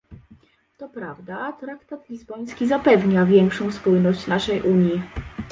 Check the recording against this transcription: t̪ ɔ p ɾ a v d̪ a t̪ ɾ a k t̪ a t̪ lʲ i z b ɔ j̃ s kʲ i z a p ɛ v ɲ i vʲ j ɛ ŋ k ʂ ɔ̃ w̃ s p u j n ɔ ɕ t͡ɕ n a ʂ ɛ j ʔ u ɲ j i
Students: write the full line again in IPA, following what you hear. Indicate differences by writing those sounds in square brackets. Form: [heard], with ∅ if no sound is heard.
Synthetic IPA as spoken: t̪ ɔ p ɾ a v d̪ a t̪ ɾ a k t̪ a t̪ lʲ i z b ɔ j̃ s kʲ i z a p ɛ v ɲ [a] vʲ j ɛ ŋ k ʂ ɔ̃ w̃ s p u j n ɔ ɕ t͡ɕ n a ʂ ɛ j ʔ u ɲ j i